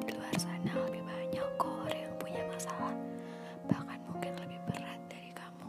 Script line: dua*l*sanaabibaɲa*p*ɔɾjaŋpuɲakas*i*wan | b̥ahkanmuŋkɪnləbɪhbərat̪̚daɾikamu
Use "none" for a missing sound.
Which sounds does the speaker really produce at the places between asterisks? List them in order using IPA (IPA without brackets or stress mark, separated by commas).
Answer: r, k, a